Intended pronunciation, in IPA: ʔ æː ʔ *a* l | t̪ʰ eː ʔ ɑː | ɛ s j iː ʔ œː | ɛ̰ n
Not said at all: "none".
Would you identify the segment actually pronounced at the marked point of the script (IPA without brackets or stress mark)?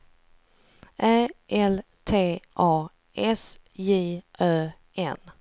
ɛ